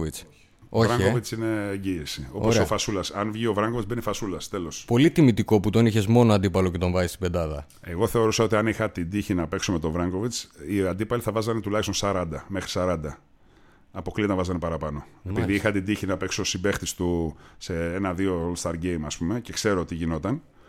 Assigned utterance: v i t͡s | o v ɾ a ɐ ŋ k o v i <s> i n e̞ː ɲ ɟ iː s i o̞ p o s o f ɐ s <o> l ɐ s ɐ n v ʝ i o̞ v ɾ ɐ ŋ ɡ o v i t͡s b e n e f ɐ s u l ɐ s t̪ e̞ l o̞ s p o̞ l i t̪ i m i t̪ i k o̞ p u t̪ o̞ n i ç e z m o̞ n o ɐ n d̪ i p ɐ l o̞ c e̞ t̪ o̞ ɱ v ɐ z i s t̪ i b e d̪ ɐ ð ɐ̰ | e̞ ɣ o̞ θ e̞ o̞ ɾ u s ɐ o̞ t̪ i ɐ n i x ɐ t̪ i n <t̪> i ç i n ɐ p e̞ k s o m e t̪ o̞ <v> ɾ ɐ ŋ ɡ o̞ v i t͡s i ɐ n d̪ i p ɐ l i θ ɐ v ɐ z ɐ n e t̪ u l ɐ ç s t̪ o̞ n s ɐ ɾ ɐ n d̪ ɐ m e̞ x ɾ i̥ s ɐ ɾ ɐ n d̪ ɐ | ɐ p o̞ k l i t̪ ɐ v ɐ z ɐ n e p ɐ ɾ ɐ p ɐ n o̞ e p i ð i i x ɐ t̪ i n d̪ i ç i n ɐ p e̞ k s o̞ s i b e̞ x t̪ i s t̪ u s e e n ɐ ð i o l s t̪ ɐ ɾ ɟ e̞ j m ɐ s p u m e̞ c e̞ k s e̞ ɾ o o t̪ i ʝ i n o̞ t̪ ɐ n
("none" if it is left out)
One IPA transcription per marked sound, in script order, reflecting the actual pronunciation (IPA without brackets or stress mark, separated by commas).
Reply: t͡s, u, d̪, v